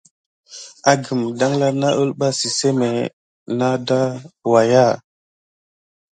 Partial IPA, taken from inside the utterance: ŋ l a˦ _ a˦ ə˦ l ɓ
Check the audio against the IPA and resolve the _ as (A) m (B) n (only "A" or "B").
B